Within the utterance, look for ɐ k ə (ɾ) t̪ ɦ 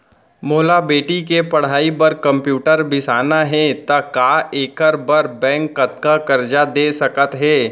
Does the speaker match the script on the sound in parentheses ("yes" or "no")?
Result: no